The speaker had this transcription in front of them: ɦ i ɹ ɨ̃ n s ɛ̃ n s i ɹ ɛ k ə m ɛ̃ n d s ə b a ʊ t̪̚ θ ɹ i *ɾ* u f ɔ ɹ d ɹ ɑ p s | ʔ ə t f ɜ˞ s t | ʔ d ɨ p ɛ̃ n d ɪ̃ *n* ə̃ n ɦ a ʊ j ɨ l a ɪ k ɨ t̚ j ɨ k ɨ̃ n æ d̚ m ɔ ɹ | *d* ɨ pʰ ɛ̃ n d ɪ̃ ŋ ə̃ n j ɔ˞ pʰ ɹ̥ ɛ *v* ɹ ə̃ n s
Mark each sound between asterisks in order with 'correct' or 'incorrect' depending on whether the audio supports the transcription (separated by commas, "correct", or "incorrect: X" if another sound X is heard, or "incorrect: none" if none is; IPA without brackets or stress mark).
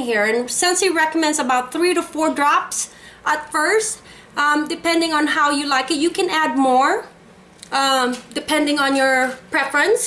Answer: correct, incorrect: ŋ, correct, incorrect: f